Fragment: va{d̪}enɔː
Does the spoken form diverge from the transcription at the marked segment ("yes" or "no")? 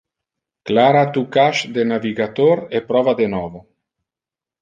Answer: no